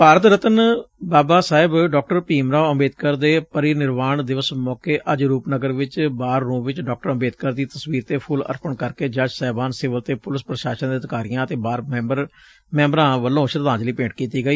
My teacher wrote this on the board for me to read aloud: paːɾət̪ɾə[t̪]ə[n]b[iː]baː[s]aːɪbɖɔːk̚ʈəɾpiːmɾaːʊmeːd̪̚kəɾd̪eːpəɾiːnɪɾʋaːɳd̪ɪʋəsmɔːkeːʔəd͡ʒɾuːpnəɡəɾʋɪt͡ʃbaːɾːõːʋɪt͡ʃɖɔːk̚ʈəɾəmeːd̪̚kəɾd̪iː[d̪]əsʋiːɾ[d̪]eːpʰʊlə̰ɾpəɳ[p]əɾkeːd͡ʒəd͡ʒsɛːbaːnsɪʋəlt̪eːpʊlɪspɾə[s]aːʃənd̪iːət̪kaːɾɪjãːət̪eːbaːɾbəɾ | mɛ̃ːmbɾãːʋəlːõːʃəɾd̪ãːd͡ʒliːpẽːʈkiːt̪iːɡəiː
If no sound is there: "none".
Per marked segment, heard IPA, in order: t̪, n, aː, s, t̪, t̪, k, ʃ

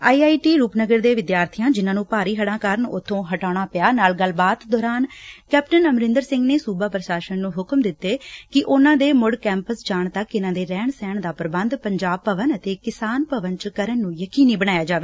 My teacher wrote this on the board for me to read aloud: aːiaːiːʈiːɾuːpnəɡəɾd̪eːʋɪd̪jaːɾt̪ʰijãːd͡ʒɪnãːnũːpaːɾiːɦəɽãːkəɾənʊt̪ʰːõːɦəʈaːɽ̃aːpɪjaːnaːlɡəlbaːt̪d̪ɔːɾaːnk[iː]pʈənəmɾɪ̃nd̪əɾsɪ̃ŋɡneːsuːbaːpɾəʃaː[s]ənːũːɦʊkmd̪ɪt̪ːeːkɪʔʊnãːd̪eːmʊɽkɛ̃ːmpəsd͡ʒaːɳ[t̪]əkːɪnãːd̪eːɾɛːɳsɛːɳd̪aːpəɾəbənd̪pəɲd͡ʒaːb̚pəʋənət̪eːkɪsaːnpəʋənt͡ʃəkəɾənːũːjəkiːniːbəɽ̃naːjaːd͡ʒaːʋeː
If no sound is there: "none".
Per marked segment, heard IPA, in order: ɛː, ʃ, t̪

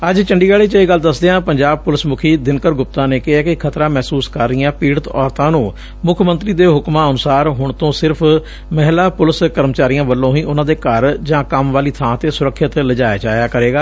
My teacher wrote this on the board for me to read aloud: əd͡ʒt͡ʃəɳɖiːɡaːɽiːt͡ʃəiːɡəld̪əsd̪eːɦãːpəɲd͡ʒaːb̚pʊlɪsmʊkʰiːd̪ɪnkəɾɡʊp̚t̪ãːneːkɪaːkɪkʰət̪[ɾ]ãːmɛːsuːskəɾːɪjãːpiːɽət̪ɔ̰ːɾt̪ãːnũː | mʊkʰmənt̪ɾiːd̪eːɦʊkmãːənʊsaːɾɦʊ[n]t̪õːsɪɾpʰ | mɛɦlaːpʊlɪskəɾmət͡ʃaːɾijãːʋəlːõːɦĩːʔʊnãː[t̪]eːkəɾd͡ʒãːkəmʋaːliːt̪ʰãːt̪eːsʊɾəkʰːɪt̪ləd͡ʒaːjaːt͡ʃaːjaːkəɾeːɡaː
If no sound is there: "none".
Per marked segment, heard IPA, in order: ɾ, ɳ, d̪

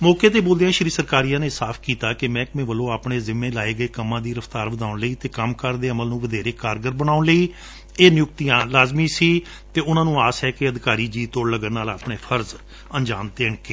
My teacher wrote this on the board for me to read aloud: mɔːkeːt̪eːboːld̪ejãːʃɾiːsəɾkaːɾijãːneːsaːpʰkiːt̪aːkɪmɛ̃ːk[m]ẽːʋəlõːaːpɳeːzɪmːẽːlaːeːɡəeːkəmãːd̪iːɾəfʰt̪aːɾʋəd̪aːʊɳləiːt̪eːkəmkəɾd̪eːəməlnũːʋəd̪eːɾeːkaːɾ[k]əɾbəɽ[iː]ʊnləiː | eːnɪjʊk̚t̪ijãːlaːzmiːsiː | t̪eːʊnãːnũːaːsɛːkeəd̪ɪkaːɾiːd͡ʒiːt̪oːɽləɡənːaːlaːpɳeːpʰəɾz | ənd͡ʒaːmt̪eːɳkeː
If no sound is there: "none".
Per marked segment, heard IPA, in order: m, ɡ, aː

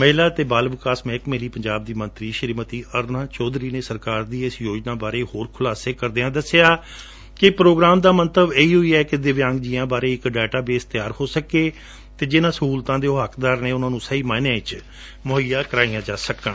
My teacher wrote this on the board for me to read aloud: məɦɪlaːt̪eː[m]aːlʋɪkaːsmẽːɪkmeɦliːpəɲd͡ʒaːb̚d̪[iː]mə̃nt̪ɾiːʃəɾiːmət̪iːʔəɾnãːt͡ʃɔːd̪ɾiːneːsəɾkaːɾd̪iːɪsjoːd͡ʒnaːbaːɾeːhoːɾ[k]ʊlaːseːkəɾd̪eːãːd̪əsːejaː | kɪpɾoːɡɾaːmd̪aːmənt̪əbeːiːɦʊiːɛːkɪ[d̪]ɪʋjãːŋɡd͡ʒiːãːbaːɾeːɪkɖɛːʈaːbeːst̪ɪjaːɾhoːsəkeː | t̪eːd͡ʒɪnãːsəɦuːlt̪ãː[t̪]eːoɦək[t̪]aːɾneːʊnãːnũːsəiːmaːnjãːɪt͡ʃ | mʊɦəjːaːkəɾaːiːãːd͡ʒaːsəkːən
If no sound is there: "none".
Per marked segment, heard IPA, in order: b, iː, kʰ, d̪, d̪, d̪

